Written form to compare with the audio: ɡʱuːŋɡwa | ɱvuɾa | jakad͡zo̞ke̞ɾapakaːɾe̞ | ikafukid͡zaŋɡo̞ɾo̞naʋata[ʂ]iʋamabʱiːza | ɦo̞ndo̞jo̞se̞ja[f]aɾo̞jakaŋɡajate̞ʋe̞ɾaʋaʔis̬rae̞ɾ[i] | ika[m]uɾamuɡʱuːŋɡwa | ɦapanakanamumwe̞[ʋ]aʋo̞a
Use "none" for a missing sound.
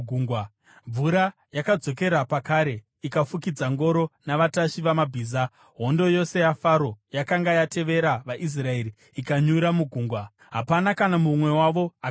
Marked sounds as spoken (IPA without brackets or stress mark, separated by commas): ʃ, f, i, ɲ, w